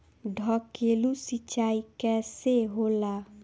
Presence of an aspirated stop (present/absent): absent